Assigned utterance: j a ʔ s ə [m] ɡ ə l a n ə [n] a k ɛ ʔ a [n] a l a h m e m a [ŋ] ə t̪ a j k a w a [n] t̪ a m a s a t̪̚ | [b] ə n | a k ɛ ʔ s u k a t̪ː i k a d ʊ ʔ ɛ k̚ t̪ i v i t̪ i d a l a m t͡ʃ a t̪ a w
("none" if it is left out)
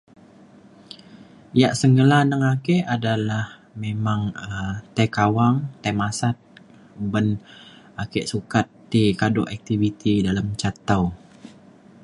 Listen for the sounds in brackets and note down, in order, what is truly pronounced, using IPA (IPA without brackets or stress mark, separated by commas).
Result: ŋ, ŋ, d, ŋ, ŋ, b